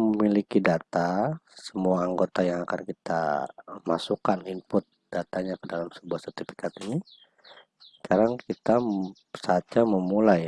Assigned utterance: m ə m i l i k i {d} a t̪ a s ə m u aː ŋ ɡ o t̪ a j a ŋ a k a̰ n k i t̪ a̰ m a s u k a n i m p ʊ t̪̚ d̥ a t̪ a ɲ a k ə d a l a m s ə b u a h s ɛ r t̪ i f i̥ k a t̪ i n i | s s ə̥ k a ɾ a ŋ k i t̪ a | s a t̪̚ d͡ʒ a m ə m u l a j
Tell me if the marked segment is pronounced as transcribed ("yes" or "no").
yes